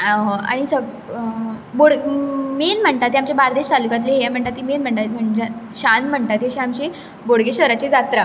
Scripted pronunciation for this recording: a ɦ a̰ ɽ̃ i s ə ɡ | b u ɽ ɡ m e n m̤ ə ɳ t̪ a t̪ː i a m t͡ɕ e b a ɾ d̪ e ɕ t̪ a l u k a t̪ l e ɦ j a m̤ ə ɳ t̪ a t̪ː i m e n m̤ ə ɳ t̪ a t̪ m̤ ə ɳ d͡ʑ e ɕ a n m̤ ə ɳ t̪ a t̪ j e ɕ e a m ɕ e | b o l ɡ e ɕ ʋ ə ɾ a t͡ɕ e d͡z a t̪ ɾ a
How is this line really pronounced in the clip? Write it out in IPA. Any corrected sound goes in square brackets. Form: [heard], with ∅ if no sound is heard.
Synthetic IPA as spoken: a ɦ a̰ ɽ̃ i s ə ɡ | b [o] ɽ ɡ m e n m̤ ə ɳ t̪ a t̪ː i a m t͡ɕ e b a ɾ d̪ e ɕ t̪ a l u k a t̪ l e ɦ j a m̤ ə ɳ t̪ a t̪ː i m e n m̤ ə ɳ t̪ a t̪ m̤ ə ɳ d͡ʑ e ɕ a n m̤ ə ɳ t̪ a t̪ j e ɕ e a m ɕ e | b o [ɽ] ɡ e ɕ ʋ ə ɾ a t͡ɕ e d͡z a t̪ ɾ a